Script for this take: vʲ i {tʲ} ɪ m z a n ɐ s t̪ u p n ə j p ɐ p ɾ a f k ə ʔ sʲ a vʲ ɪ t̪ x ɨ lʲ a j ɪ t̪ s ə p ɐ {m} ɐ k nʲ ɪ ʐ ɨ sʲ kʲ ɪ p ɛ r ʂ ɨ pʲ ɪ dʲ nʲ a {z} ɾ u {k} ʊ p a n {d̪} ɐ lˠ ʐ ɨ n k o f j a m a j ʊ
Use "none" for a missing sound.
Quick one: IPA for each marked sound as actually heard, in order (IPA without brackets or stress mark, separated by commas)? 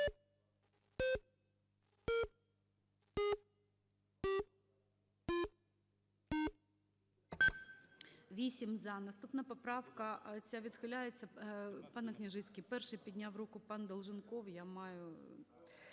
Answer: sʲ, n, v, k, d̪